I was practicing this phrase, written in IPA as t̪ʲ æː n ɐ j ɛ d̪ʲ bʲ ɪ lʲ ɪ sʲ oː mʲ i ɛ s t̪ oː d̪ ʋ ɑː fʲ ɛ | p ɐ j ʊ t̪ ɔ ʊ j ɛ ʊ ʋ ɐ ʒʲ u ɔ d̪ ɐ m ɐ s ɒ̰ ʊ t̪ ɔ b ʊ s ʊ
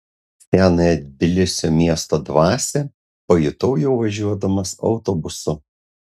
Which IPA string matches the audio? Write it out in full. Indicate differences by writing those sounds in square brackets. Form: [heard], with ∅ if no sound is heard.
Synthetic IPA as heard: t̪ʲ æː n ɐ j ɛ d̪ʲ bʲ ɪ lʲ ɪ sʲ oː mʲ i ɛ s t̪ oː d̪ ʋ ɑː [sʲ] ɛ | p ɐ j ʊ t̪ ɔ ʊ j ɛ ʊ ʋ ɐ ʒʲ u ɔ d̪ ɐ m ɐ s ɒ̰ ʊ t̪ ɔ b ʊ s ʊ